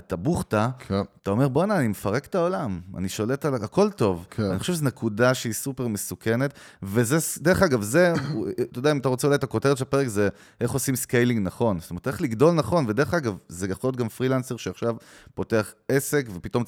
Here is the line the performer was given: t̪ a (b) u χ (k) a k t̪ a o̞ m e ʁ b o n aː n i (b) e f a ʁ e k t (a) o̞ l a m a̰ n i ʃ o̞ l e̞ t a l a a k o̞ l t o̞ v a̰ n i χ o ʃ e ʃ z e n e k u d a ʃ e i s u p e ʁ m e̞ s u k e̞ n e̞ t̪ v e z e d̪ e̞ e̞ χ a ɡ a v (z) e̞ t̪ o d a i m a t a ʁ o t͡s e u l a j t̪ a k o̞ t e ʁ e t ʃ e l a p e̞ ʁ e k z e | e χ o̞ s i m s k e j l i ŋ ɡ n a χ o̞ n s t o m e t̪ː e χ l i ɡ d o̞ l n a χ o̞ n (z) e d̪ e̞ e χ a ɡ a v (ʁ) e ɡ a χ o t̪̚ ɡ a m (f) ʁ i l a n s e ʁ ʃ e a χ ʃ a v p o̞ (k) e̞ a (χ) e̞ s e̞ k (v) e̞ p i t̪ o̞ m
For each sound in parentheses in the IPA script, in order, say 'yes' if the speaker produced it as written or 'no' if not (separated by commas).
yes, no, no, yes, yes, no, no, yes, no, yes, yes